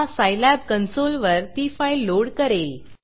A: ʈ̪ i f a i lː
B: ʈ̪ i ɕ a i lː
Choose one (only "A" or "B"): A